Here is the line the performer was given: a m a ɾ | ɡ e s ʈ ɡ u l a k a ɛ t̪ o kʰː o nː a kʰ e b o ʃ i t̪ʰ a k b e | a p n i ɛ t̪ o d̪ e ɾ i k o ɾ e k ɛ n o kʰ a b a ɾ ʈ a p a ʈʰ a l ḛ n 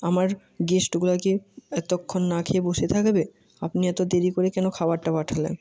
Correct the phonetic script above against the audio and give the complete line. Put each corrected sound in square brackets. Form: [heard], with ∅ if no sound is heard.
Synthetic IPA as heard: a m a ɾ | ɡ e s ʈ ɡ u l a k [e] ɛ t̪ o kʰː o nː a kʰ e b o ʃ [e] t̪ʰ a k b e | a p n i ɛ t̪ o d̪ e ɾ i k o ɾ e k ɛ n o kʰ a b a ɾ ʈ a p a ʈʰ a l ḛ n